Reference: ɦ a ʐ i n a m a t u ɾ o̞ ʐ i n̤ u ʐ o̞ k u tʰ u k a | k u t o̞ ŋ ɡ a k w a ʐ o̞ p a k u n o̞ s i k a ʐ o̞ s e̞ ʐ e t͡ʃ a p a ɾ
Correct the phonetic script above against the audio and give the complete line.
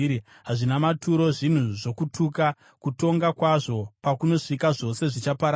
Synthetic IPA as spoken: ɦ a ʐ i n a m a t u ɾ o̞ ʐ i n̤ u ʐ o̞ k u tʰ u k a | k u t o̞ ŋ ɡ a k w a ʐ o̞ p a k u n o̞ ʂ i k a ʐ o̞ s e̞ ʐ i t͡ʃ a p a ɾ